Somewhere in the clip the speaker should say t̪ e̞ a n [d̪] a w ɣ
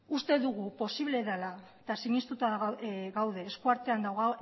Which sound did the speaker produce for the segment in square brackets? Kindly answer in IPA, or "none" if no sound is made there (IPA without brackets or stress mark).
d̪